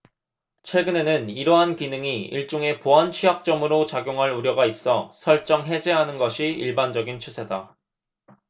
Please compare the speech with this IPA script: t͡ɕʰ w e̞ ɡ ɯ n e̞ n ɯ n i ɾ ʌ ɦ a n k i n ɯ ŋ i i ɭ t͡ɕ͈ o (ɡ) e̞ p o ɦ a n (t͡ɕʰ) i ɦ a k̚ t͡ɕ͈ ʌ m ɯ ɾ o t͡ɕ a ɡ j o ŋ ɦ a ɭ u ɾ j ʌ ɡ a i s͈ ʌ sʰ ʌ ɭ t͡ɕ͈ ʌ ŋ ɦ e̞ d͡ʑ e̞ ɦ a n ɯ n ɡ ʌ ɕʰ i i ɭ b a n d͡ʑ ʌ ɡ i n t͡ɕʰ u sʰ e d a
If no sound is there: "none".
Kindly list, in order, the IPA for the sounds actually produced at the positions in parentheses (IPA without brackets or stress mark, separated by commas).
ŋ, t͡ɕʰ